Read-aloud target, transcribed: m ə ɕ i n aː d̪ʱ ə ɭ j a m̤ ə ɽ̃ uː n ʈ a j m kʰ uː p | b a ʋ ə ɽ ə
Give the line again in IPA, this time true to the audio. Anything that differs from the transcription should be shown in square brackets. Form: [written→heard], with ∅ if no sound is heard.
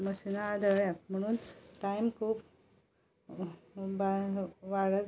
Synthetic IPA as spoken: m ə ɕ i n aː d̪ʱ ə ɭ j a m̤ ə ɽ̃ uː n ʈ a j m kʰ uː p | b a ʋ [ə→a] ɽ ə